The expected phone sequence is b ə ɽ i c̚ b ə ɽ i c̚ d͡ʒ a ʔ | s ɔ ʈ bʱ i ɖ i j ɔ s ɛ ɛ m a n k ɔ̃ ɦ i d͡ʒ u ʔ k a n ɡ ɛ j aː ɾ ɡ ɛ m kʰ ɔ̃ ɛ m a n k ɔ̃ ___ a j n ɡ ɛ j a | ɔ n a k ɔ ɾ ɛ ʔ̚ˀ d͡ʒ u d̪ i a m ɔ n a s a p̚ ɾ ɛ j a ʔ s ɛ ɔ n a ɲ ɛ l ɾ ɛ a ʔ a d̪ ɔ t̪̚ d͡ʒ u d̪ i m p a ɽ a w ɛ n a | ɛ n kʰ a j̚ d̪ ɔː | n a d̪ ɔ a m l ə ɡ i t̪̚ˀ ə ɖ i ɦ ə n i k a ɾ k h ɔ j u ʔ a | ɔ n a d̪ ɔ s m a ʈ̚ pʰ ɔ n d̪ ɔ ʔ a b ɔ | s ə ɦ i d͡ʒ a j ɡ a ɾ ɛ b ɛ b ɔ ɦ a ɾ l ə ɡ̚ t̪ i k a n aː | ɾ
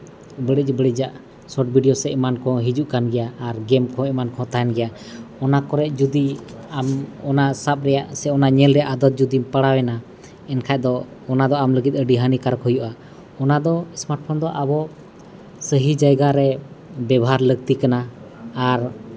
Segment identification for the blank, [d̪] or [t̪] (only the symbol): t̪